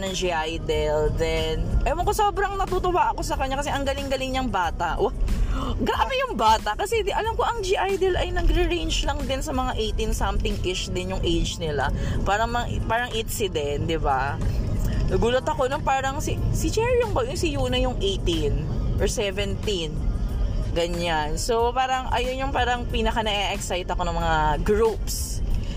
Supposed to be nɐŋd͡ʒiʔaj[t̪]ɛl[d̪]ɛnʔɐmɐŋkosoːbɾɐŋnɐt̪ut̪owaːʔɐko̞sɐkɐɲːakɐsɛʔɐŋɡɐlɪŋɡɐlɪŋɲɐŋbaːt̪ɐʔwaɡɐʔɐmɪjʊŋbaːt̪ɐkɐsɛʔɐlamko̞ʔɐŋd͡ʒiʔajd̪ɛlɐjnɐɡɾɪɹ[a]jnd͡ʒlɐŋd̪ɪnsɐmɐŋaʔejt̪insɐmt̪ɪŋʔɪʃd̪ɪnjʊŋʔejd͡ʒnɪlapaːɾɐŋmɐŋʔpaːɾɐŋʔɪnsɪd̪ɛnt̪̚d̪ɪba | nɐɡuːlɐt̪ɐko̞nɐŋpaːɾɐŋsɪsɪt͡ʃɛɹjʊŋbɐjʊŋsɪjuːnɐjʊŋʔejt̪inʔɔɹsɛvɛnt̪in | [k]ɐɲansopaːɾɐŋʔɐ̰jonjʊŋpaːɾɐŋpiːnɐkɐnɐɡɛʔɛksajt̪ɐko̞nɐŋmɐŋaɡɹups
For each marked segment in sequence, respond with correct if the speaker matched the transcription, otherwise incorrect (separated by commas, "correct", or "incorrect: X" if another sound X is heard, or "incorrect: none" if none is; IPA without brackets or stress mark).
incorrect: d̪, correct, incorrect: e, incorrect: ɡ